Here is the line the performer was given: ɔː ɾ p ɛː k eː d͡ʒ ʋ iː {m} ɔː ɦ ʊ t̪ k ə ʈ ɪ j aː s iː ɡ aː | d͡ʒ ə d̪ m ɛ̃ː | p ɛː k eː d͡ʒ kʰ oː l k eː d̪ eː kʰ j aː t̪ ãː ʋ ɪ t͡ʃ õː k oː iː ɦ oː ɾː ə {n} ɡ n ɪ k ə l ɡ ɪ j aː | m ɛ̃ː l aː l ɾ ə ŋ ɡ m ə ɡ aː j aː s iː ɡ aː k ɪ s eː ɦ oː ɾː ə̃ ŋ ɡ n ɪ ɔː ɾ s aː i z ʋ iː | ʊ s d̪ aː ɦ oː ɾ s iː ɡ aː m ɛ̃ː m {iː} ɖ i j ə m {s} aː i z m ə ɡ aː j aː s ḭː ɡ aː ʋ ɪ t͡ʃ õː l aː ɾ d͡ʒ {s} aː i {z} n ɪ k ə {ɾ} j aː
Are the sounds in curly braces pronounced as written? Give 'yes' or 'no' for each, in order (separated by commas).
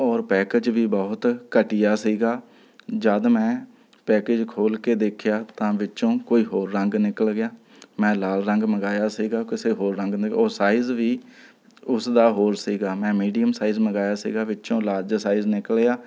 no, no, yes, yes, yes, yes, no